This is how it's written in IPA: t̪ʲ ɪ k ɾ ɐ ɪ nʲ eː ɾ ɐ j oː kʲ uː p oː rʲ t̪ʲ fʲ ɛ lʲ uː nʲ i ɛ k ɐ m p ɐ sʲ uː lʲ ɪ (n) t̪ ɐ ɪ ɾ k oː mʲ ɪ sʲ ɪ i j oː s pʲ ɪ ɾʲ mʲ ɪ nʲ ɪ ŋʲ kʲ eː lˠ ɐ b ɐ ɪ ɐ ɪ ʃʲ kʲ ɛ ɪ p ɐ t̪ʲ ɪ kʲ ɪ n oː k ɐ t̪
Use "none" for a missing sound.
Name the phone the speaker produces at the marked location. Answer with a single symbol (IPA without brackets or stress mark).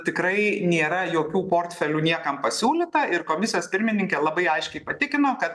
none